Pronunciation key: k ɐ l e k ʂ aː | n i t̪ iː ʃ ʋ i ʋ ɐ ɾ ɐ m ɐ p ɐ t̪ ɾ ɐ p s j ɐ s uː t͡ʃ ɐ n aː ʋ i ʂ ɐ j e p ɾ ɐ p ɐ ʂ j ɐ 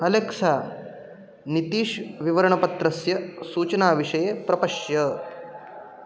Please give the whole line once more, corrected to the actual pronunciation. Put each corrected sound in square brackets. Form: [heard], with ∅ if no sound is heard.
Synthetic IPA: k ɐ l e k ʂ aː | n i t̪ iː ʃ ʋ i ʋ ɐ ɾ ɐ [ɳ] ɐ p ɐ t̪ ɾ ɐ [∅] s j ɐ s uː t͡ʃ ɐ n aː ʋ i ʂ ɐ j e p ɾ ɐ p ɐ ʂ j ɐ